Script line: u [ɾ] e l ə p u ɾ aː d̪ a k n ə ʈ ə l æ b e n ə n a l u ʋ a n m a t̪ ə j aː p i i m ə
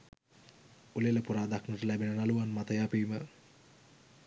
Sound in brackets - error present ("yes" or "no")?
yes